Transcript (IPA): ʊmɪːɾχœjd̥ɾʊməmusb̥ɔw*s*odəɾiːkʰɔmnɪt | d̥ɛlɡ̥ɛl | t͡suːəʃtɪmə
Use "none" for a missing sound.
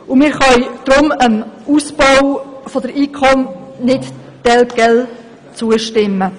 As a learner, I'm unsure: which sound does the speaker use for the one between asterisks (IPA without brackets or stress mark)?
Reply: f